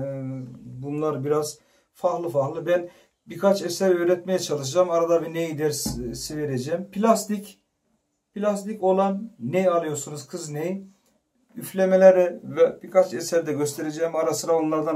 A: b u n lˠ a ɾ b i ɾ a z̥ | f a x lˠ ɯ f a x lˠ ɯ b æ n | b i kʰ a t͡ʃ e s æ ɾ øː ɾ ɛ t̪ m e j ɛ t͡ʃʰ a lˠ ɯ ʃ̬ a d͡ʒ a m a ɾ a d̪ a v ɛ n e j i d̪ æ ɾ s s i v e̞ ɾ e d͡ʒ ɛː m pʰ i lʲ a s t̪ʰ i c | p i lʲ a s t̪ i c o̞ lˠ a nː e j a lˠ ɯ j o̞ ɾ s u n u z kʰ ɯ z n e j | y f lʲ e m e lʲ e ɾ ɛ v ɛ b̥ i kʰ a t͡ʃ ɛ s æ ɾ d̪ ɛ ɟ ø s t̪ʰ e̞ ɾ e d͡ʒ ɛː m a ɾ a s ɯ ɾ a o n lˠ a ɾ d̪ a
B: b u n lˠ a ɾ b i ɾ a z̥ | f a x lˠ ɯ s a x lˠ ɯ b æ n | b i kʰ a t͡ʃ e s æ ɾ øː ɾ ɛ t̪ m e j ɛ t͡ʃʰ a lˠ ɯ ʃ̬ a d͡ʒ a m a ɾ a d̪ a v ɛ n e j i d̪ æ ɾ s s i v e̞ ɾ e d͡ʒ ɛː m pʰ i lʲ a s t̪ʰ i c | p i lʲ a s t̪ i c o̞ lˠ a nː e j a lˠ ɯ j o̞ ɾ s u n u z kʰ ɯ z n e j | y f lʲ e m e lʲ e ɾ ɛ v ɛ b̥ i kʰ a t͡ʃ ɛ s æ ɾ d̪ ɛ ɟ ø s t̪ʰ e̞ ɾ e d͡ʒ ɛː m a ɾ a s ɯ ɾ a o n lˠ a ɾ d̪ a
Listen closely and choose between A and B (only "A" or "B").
A